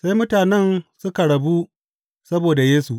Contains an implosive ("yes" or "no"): no